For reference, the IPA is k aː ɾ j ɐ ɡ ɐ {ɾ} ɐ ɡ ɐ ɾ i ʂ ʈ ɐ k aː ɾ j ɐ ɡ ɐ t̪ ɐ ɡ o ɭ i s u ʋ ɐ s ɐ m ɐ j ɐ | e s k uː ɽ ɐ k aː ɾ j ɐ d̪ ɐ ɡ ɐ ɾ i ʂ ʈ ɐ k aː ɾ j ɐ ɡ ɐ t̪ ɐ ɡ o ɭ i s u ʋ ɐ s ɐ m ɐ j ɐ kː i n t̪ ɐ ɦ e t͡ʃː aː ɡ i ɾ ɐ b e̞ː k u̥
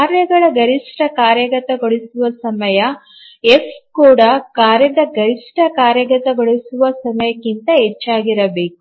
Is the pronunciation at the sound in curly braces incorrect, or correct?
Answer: incorrect